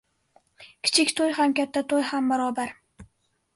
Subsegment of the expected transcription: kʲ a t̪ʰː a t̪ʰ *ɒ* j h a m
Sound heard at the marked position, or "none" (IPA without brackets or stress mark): o